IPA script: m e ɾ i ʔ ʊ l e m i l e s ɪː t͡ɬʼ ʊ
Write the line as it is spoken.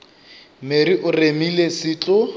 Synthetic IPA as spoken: m e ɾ i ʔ ʊ r e m i l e s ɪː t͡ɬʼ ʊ